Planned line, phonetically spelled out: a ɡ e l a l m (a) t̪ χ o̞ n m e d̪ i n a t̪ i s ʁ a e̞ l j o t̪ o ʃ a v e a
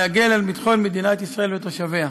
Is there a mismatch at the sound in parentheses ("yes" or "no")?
yes